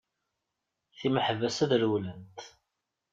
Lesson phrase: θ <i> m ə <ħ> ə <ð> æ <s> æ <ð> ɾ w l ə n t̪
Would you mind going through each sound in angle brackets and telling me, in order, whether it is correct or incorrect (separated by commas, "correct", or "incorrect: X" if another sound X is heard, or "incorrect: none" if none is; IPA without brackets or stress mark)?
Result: correct, correct, incorrect: v, correct, correct